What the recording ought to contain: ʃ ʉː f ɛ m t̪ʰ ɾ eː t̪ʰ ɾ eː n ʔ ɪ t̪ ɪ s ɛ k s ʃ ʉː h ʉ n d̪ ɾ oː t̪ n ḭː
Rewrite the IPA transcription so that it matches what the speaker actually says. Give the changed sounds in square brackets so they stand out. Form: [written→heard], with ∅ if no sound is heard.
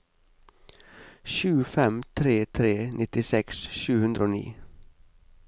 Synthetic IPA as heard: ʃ ʉː f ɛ m t̪ʰ ɾ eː t̪ʰ ɾ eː n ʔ ɪ t̪ ɪ s ɛ k s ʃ ʉː h ʉ n d̪ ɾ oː [t̪→∅] n ḭː